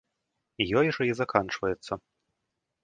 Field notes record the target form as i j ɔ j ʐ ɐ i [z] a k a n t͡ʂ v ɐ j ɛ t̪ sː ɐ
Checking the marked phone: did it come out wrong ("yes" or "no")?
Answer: no